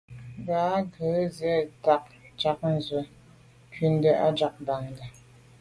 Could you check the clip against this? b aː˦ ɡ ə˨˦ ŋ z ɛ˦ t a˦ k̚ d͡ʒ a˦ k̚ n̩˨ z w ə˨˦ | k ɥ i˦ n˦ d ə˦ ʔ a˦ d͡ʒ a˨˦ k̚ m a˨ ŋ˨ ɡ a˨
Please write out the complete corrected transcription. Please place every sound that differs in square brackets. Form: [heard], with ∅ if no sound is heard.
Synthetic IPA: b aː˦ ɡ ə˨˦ [∅] z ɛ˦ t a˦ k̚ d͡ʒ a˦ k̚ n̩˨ z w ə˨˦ | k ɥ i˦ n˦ d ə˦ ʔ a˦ d͡ʒ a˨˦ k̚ [b] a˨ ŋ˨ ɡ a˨

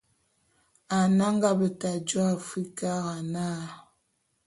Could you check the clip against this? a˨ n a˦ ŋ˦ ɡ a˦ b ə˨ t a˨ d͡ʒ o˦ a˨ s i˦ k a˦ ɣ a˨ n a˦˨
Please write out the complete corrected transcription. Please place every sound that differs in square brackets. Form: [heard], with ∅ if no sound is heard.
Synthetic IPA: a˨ n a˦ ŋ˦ ɡ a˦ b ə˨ t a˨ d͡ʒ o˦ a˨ [f] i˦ k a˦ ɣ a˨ n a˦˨

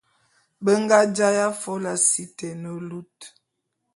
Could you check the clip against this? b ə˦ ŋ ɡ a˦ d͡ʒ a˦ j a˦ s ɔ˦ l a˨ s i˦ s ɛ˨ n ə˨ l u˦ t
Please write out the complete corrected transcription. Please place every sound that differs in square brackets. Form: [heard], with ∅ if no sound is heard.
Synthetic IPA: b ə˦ ŋ ɡ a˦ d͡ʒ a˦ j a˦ [f] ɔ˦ l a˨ s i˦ [t] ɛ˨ n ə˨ l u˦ t

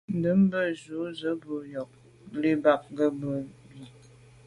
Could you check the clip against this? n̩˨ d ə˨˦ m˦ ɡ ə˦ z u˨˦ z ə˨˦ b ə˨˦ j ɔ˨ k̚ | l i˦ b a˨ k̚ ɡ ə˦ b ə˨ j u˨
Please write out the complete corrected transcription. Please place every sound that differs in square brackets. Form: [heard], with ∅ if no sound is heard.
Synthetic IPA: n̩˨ d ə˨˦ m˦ [b] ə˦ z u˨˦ z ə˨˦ b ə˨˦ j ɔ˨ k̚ | l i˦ b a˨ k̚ ɡ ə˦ b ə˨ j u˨

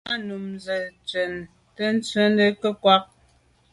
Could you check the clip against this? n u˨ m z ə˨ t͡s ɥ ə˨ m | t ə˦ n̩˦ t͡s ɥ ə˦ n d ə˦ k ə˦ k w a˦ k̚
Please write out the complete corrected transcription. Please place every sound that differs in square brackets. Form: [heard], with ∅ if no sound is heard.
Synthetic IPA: n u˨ m z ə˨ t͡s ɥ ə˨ [n] | t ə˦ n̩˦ t͡s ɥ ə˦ n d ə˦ k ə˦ k w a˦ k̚

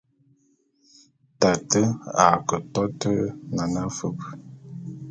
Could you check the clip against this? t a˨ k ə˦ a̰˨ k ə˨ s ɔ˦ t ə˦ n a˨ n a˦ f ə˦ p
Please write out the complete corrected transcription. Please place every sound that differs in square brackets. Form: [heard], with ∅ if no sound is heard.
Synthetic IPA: t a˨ [t] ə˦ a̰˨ k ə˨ [t] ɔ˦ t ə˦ n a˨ n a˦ f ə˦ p

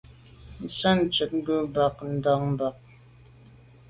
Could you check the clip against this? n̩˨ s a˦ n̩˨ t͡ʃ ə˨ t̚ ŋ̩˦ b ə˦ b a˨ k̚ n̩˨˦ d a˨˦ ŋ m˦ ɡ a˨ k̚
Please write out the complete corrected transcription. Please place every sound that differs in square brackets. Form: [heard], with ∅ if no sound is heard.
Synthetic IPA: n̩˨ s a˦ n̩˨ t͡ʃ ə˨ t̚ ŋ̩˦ [ɡ] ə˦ b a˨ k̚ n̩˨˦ d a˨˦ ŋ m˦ [b] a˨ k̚

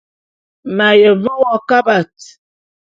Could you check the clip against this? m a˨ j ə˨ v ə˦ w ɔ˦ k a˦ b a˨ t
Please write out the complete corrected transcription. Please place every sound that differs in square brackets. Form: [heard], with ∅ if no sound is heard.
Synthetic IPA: m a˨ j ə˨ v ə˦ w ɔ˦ k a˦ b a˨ t

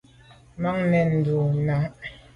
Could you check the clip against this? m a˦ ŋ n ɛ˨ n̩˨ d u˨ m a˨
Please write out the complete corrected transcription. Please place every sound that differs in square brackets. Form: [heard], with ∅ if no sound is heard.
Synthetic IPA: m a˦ ŋ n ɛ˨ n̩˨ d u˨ [n] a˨

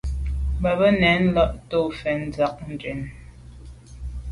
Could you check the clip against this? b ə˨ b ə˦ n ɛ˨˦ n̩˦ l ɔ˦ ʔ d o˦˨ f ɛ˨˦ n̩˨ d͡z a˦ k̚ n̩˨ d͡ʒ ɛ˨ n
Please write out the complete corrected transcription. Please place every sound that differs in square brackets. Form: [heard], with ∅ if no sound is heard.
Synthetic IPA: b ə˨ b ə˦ n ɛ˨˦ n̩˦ l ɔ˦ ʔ [t] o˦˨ f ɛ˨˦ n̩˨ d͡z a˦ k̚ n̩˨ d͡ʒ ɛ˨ n

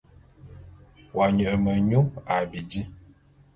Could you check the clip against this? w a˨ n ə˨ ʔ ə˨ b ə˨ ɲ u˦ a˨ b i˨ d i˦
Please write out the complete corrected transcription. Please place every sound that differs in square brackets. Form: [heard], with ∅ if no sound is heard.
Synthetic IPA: w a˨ [ɲ] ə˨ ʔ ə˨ [m] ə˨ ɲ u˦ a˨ b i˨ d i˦

